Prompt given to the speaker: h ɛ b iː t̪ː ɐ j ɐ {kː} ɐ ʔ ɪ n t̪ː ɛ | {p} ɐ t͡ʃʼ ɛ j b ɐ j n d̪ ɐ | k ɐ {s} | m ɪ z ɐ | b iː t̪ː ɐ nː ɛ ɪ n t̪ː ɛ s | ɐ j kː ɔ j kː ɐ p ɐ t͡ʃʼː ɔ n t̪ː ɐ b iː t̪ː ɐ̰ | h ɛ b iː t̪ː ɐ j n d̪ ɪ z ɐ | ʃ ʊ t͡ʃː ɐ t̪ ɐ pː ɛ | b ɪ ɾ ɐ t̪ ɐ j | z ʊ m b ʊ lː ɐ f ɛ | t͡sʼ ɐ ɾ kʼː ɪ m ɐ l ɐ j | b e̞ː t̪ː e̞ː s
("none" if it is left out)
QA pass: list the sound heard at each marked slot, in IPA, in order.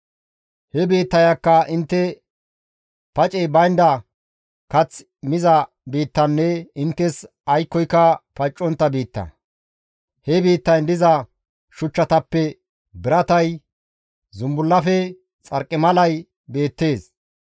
kː, p, t͡s

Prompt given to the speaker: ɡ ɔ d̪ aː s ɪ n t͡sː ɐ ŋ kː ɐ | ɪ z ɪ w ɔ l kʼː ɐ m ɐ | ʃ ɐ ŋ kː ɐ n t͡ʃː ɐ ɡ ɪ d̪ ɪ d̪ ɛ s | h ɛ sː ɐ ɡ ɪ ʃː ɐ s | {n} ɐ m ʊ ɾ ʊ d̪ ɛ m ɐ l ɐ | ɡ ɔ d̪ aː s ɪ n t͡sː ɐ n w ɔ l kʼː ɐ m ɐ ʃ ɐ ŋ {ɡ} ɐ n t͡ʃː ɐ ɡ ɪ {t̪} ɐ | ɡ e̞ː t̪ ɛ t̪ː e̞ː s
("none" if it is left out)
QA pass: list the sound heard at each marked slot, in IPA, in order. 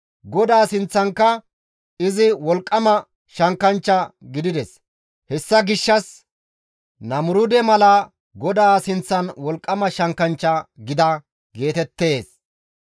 n, k, d̪

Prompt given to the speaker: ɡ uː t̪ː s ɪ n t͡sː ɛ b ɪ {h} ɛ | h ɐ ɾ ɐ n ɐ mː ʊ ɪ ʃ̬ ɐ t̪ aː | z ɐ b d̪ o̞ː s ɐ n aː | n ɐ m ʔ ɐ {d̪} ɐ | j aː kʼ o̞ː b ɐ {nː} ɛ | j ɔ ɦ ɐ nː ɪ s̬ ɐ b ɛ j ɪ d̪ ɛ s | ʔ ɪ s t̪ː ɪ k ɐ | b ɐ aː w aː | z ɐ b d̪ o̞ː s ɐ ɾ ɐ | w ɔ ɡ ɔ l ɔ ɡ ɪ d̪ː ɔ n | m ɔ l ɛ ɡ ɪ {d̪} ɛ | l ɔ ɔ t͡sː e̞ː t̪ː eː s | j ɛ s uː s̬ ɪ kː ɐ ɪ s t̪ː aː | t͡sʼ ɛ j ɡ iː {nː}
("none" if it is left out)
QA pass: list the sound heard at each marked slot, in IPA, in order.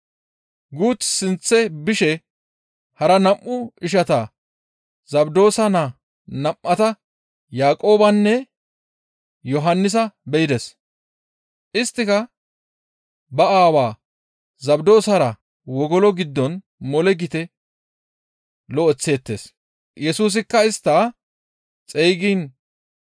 ʃ, t̪, nː, t̪, n

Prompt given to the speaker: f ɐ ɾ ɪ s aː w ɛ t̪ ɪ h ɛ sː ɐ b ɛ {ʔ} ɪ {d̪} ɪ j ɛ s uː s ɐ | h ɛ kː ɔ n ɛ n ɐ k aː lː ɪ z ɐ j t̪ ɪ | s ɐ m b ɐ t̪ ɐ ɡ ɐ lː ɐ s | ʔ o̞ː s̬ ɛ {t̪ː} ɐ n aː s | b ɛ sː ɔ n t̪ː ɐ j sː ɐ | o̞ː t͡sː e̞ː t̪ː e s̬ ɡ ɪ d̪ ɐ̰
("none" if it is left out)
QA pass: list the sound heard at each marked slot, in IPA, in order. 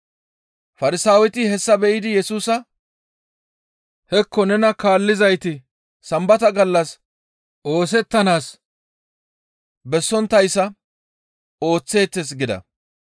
ʔ, d̪, t̪ː

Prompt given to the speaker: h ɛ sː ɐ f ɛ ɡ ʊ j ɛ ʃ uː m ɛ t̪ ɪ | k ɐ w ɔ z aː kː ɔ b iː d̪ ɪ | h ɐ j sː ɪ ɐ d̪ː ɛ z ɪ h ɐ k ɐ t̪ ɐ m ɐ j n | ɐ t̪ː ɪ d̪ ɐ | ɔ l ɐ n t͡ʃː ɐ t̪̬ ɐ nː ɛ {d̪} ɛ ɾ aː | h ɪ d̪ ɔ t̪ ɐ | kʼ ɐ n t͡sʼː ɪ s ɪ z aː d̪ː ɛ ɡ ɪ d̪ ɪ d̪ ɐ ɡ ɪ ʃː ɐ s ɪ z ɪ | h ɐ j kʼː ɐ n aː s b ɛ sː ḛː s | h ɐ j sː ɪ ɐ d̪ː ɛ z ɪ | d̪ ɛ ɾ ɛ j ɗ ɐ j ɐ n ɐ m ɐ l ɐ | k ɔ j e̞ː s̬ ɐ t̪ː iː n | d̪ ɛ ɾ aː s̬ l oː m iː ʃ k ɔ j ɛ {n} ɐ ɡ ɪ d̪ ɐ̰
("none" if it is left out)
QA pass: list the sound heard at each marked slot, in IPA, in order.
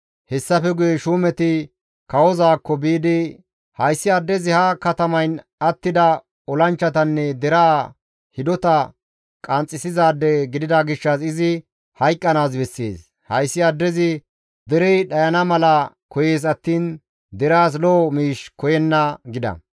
d̪, nː

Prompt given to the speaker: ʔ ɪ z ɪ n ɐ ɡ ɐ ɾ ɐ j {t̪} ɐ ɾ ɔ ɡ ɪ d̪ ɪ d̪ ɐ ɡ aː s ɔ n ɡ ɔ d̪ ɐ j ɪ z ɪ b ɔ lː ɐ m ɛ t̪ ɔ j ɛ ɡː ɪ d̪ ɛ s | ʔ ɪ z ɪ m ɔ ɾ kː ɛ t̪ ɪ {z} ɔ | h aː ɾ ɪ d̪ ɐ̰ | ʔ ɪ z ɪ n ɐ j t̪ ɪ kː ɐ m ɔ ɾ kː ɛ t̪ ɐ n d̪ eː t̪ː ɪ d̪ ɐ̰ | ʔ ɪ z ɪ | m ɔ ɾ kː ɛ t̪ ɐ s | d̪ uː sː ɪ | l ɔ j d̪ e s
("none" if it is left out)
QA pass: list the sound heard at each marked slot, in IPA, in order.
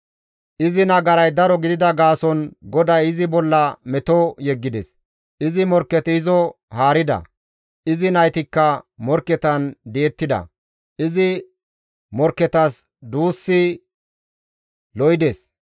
d̪, z

